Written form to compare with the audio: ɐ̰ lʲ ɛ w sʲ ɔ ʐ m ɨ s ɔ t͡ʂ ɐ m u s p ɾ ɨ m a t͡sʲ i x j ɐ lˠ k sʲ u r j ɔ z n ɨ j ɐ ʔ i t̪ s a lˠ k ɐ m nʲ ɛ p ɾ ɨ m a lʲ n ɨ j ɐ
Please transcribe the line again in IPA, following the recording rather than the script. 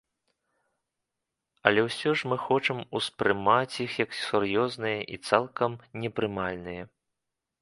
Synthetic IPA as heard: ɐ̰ lʲ ɛ w sʲ ɔ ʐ m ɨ x ɔ t͡ʂ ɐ m u s p ɾ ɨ m a t͡sʲ i x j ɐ k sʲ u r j ɔ z n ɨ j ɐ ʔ i t̪ s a lˠ k ɐ m nʲ ɛ p ɾ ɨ m a lʲ n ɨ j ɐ